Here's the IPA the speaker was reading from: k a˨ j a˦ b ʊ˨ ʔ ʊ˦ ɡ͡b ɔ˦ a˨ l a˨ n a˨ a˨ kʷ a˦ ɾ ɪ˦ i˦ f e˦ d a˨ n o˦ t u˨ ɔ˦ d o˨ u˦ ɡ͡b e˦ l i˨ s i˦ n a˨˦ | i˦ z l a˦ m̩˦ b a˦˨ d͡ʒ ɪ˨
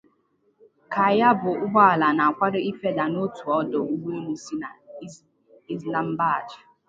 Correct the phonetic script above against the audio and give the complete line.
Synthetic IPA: k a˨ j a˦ b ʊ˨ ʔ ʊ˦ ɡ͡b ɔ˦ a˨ l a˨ n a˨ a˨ kʷ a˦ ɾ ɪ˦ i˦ f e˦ d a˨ n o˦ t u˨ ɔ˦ d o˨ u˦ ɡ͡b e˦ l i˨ s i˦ n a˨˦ | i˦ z l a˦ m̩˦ b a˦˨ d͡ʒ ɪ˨

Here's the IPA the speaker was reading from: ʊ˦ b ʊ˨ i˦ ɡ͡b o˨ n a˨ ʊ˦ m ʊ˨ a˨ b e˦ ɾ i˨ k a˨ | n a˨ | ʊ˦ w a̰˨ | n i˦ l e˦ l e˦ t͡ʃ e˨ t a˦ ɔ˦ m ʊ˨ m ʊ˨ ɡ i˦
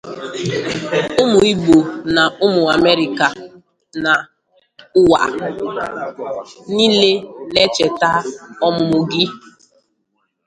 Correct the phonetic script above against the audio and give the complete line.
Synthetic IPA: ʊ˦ m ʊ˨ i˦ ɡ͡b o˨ n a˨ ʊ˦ m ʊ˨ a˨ m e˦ ɾ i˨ k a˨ | n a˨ | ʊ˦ w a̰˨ | n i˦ l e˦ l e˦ t͡ʃ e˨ t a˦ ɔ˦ m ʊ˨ m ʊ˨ ɡ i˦

